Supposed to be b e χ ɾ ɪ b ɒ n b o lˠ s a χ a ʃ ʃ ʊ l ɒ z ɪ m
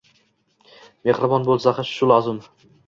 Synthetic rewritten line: m e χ ɾ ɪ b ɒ n b o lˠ s a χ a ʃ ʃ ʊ l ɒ z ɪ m